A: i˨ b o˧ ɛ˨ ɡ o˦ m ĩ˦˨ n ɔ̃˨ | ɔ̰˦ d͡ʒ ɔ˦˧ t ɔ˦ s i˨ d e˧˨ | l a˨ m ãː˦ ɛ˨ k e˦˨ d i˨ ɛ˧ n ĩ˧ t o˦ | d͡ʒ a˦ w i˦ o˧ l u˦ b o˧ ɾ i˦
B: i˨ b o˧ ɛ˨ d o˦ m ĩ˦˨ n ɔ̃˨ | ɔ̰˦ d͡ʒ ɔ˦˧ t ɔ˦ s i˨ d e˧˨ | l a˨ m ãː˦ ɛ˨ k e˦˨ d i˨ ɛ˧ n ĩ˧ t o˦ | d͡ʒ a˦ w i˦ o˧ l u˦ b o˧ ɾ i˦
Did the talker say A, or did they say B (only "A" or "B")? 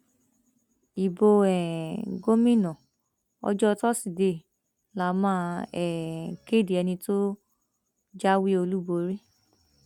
A